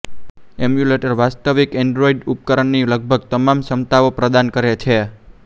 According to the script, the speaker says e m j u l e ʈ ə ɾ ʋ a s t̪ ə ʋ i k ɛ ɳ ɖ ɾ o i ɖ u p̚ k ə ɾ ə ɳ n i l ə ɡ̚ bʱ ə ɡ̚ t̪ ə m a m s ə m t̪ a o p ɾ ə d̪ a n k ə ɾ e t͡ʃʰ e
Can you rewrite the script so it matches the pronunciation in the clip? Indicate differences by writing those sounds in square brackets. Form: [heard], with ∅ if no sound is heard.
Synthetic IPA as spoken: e m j u l e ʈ ə ɾ ʋ a s t̪ ə ʋ i k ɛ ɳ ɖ ɾ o i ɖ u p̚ k ə ɾ ə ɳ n i l ə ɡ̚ bʱ ə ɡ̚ t̪ ə m a m s ə m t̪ a o p ɾ ə d̪ a n k ə ɾ e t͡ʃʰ e